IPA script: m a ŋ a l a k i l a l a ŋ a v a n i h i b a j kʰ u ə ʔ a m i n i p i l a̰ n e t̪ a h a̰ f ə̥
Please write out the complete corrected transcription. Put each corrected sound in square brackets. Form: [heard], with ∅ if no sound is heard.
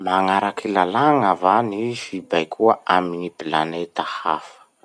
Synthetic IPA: m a ŋ a [ɾ] a k i l a l a ŋ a v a n i [f] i b a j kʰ u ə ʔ a m i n i p i l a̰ n e t̪ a h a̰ f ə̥